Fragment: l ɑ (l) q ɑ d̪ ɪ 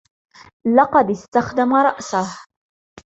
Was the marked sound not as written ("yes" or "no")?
yes